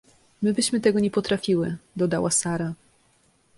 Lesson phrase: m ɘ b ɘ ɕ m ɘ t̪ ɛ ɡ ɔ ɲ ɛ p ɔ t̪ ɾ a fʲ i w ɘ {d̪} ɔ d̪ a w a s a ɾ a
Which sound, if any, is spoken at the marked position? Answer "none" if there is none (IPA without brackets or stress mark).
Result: d̪